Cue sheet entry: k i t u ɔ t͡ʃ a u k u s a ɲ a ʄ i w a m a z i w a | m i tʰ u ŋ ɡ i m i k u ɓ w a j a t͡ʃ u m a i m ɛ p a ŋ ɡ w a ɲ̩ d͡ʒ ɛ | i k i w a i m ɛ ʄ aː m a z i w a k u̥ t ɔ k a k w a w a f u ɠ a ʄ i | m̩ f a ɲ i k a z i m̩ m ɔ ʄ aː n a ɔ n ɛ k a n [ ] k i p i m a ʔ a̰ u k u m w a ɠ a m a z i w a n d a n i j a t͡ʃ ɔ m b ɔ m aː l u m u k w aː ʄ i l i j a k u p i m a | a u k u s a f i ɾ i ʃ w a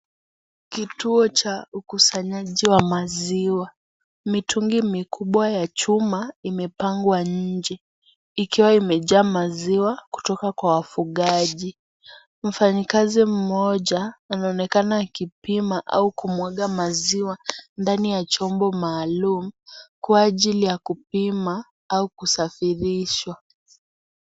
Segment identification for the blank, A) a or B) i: A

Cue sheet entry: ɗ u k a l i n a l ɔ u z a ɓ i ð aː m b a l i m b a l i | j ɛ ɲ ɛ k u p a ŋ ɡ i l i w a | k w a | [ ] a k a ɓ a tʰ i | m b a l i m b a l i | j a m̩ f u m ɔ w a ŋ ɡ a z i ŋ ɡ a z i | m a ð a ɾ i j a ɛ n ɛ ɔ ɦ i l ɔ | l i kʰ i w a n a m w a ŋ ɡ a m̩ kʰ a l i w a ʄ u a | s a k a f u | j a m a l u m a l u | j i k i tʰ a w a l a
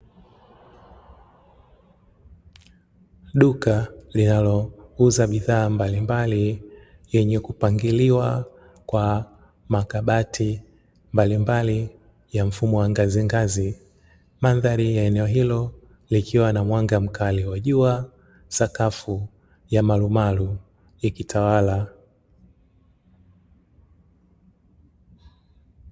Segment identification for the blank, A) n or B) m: B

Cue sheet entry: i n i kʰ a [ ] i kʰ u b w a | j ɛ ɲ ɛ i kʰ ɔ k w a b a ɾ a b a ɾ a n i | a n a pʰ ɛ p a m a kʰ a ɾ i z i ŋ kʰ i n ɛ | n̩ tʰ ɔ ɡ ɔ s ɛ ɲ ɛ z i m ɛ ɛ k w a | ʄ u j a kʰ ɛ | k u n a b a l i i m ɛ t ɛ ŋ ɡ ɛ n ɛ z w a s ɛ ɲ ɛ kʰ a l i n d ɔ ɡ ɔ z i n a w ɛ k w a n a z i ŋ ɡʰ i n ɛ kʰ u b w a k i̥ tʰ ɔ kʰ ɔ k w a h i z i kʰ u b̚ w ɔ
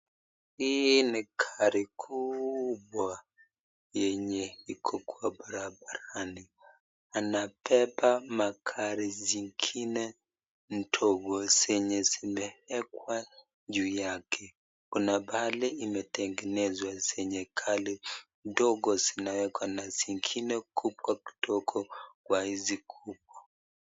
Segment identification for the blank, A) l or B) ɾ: B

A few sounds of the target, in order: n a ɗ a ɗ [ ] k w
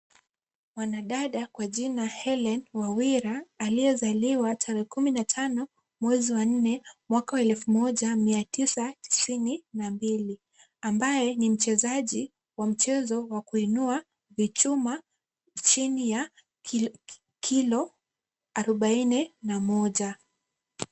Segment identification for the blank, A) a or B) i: A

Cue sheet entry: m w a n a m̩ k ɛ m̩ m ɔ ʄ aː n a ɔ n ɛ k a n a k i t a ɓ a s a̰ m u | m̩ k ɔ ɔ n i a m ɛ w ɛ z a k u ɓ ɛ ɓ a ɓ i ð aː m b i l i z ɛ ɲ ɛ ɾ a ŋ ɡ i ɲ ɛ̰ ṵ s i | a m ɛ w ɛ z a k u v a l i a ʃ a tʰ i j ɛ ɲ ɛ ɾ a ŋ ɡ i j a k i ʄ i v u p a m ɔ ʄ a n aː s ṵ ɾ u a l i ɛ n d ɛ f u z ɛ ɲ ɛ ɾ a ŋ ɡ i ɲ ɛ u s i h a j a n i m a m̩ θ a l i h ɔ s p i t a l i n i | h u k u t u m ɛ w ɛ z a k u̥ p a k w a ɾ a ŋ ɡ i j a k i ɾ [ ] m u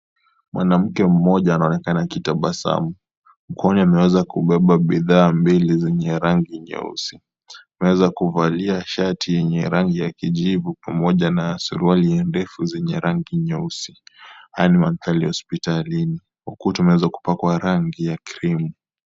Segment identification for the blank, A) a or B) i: B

